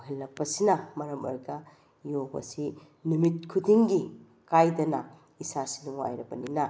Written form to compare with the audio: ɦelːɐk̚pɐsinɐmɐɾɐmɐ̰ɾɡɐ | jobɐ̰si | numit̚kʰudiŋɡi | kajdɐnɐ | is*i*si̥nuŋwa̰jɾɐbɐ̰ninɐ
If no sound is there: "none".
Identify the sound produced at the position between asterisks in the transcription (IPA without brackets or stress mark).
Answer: a